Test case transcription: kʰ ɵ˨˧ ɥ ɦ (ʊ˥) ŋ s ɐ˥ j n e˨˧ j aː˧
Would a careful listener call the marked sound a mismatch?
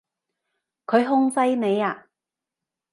no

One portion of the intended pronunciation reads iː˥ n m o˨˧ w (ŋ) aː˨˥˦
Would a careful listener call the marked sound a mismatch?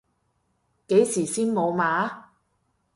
yes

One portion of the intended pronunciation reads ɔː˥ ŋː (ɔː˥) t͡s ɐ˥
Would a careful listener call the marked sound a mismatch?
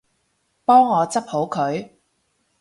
yes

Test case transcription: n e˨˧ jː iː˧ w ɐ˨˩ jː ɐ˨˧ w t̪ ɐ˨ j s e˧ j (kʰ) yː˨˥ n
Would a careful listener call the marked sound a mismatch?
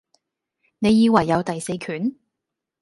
no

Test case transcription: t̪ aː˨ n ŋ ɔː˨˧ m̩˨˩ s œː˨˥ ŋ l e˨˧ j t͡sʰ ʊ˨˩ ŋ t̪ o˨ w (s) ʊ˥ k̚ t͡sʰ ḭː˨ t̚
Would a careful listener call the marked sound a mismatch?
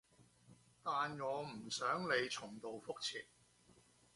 yes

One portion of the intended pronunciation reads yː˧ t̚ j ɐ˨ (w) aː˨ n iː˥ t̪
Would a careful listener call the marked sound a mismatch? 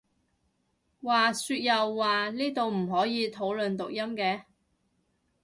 yes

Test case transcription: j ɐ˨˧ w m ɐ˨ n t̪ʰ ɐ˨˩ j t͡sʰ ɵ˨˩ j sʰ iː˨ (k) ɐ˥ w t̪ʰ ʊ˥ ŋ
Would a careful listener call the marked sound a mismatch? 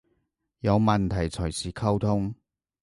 yes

